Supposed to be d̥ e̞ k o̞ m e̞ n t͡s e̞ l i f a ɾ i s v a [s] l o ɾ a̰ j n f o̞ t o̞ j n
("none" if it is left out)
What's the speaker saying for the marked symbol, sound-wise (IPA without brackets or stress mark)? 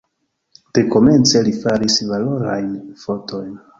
none